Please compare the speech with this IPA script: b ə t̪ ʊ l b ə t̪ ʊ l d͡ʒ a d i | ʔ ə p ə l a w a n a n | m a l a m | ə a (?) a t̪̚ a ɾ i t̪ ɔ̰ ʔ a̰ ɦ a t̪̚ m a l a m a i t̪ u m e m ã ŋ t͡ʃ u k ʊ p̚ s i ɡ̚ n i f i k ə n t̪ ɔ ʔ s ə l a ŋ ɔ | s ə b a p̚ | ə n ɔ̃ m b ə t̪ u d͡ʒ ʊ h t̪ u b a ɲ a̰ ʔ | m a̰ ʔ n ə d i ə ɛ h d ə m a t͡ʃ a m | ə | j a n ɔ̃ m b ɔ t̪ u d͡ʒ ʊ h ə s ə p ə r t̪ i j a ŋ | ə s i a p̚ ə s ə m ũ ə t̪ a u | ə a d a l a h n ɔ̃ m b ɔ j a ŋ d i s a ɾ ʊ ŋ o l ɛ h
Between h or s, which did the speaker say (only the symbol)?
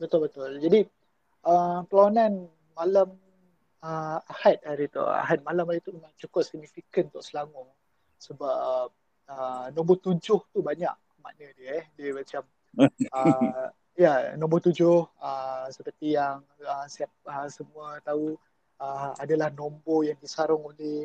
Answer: h